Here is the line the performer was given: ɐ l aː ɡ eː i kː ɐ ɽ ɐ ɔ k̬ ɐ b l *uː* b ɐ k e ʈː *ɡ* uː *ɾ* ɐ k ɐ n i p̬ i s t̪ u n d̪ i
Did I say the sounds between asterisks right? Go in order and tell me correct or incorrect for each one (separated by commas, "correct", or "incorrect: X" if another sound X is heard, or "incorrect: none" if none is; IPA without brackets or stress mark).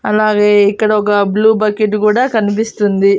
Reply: correct, incorrect: k, incorrect: ɽ